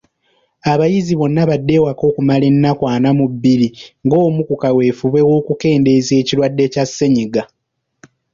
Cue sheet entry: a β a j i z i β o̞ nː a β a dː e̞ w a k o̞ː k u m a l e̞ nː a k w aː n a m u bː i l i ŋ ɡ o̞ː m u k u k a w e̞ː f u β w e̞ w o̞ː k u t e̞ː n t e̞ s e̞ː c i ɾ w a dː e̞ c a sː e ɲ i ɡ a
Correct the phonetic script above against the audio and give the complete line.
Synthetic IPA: a β a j i z i β o̞ nː a β a dː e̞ w a k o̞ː k u m a l e̞ nː a k w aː n a m u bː i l i ŋ ɡ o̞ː m u k u k a w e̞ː f u β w e̞ w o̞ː k u k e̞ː n d e̞ z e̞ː c i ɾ w a dː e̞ c a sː e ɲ i ɡ a